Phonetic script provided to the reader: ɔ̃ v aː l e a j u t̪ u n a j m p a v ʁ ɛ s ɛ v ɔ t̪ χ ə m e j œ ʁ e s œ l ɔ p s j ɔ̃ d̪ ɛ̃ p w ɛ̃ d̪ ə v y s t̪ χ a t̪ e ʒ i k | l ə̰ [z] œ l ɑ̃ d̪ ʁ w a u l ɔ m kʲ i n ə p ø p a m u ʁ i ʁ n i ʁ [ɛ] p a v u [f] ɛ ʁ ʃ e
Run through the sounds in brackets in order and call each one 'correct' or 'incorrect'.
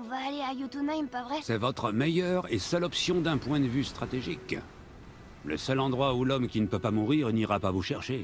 incorrect: s, incorrect: a, incorrect: ʃ

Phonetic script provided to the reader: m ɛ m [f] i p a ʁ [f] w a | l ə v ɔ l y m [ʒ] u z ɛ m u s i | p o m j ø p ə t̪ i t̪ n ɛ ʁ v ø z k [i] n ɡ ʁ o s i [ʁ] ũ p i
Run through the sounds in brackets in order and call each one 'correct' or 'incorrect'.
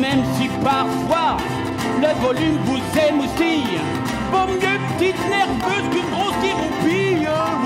incorrect: s, correct, incorrect: v, incorrect: y, correct

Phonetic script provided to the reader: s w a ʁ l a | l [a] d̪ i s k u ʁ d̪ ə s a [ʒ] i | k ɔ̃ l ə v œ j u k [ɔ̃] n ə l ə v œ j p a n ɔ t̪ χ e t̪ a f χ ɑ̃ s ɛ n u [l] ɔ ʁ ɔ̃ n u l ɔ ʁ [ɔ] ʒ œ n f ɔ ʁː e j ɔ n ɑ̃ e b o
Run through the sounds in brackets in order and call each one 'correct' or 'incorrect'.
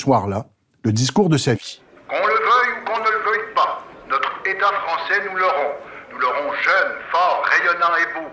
incorrect: ə, incorrect: v, correct, correct, incorrect: ɔ̃

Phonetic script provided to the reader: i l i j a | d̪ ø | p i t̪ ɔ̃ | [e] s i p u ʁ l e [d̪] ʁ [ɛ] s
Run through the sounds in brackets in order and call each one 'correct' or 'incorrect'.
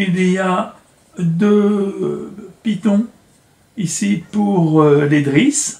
incorrect: i, correct, incorrect: i

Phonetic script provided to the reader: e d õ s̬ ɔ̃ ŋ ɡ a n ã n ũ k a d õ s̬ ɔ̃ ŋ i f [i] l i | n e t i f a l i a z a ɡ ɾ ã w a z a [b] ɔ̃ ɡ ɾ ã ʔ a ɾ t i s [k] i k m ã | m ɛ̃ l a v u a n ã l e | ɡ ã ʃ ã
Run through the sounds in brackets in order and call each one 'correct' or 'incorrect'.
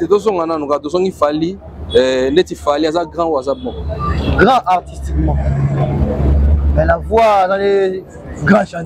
incorrect: a, correct, incorrect: t

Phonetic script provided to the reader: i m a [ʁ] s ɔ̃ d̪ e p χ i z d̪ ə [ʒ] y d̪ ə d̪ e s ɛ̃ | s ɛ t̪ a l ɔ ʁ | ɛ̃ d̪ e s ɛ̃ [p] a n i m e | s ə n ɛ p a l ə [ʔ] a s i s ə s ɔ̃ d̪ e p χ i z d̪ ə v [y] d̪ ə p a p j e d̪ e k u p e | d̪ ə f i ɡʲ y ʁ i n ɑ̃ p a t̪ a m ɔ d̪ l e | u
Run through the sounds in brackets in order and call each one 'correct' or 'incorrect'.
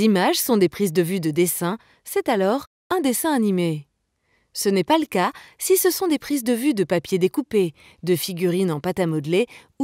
incorrect: ʒ, incorrect: v, incorrect: none, incorrect: k, correct

